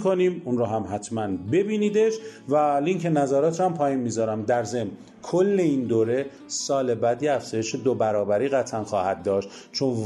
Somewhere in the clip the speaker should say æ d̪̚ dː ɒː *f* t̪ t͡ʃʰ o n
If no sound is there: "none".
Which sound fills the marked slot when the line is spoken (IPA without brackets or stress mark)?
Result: ʃ